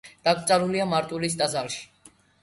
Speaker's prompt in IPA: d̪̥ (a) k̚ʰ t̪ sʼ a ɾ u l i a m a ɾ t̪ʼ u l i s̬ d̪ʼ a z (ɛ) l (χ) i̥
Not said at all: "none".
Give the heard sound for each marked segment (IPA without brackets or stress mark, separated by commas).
a, a, ʃ